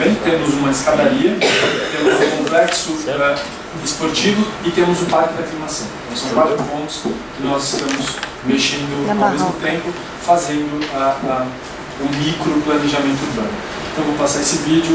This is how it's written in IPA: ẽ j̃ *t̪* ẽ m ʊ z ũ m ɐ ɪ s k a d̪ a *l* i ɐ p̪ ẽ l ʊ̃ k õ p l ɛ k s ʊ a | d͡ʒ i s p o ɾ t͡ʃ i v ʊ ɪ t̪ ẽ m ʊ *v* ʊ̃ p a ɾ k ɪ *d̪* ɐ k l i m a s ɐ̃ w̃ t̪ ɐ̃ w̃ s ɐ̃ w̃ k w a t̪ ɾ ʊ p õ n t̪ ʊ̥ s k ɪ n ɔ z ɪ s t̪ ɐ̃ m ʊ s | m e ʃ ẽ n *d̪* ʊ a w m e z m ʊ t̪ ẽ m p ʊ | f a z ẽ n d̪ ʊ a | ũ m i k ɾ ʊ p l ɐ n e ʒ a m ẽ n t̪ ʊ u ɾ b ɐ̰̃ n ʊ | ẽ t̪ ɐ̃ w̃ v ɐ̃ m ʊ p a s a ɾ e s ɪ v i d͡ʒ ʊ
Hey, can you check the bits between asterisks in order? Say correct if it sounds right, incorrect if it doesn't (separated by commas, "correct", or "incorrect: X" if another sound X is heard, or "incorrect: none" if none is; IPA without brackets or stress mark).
correct, incorrect: ɾ, incorrect: z, correct, correct